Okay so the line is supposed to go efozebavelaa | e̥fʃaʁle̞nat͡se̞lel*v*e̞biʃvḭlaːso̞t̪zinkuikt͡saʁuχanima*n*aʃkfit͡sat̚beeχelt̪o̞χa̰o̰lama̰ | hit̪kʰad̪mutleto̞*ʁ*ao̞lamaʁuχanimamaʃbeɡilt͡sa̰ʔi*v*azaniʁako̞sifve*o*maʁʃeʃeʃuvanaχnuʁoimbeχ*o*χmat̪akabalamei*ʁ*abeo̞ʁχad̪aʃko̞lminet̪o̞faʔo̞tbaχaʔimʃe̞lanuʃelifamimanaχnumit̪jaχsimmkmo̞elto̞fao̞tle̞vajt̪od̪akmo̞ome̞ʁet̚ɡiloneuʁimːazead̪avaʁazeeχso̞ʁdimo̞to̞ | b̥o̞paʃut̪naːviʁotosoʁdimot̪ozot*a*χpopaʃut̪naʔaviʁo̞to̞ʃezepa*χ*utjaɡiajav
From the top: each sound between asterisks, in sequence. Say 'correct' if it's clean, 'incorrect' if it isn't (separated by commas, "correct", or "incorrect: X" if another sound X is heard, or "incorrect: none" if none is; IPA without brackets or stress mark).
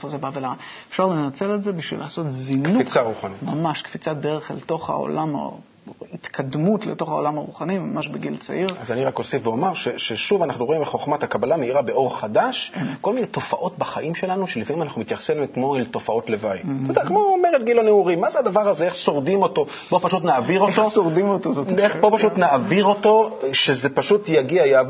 incorrect: z, incorrect: m, incorrect: χ, incorrect: ʁ, correct, correct, correct, incorrect: e, incorrect: ʃ